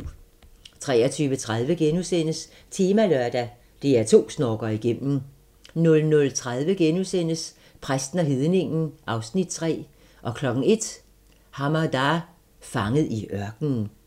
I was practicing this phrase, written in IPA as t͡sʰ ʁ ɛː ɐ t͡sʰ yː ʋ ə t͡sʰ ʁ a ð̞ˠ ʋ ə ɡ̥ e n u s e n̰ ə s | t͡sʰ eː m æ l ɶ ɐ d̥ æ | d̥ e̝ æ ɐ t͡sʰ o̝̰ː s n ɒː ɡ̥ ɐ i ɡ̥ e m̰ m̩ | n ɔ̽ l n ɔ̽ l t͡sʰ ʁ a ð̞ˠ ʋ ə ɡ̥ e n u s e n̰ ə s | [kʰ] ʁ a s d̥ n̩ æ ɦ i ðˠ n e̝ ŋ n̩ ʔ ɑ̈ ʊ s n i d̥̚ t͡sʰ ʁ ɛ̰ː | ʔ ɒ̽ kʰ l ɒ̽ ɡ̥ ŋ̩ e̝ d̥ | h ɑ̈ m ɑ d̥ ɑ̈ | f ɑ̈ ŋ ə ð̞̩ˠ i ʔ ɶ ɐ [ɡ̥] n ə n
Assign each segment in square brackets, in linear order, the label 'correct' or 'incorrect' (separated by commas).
incorrect, correct